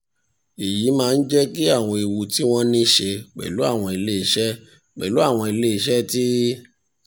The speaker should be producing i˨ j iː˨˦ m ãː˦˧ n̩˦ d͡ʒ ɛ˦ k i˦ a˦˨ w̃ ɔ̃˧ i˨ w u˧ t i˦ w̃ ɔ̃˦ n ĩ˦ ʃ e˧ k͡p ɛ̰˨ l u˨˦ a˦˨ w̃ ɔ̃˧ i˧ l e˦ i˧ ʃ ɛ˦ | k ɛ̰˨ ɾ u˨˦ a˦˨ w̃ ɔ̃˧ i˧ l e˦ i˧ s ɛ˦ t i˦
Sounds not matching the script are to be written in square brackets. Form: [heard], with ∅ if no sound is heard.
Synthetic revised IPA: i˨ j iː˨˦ m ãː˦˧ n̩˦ d͡ʒ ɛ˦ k i˦ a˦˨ w̃ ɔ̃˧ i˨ w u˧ t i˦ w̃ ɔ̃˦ n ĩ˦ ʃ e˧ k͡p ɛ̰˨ l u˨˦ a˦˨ w̃ ɔ̃˧ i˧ l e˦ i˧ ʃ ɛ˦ | [k͡p] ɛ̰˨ [l] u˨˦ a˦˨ w̃ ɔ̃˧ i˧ l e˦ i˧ [ʃ] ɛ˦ t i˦

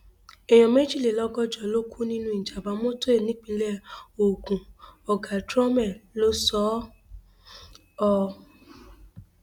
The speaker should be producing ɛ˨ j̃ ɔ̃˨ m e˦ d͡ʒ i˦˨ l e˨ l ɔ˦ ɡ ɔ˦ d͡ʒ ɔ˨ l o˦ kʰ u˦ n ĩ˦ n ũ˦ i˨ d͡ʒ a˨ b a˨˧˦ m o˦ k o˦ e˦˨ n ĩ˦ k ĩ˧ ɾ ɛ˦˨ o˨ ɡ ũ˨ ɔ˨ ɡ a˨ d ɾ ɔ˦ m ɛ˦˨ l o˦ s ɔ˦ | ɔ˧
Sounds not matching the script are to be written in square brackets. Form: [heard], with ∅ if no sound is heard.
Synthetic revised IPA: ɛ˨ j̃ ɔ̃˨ m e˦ d͡ʒ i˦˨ l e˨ l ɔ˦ ɡ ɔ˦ d͡ʒ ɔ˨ l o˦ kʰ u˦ n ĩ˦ n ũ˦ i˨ d͡ʒ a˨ b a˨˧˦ m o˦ [t] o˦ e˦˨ n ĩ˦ [k͡p] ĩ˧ [l] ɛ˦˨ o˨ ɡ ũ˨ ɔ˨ ɡ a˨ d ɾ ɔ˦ m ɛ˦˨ l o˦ s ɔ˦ | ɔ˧

